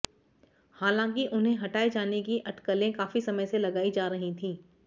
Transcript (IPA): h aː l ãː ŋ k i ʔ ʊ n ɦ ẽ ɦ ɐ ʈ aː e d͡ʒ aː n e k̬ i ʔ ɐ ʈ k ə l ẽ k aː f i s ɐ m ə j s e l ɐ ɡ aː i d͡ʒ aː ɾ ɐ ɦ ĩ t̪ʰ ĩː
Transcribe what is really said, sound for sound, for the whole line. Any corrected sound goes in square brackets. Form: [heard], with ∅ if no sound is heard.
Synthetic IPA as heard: h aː l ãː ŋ k i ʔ ʊ n ɦ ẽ ɦ ɐ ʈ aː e d͡ʒ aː n e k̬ i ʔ ɐ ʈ k ə l ẽ k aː f i s ɐ m ə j s e l ɐ ɡ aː i d͡ʒ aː ɾ ɐ ɦ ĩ t̪ʰ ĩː